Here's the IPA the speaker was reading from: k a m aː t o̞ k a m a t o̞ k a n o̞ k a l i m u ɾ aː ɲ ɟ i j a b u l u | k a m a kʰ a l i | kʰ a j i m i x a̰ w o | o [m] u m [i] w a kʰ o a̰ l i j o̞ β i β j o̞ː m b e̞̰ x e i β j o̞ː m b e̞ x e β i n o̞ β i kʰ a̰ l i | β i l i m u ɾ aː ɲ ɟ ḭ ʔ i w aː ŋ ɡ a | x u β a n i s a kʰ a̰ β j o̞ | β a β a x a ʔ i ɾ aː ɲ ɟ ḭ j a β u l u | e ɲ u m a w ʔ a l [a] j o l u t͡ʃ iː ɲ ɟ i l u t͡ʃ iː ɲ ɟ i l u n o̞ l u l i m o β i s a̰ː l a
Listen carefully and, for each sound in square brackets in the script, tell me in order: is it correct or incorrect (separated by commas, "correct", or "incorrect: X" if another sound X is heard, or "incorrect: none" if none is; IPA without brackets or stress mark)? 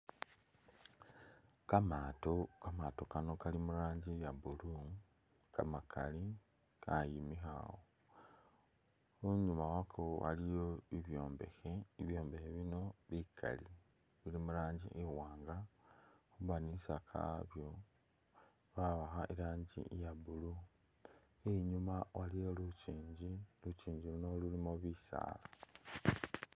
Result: incorrect: ɲ, incorrect: a, incorrect: i